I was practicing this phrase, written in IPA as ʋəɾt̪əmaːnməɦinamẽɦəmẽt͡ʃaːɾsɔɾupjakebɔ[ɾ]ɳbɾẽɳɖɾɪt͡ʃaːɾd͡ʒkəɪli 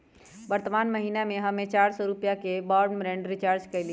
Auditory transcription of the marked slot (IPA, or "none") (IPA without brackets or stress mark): ɾ